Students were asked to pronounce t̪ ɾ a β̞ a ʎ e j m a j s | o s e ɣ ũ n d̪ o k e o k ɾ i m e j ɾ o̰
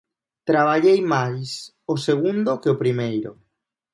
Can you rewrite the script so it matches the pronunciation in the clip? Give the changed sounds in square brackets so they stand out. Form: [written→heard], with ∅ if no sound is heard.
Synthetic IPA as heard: t̪ ɾ a β̞ a ʎ e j m a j s | o s e ɣ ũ n d̪ o k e o [k→p] ɾ i m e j ɾ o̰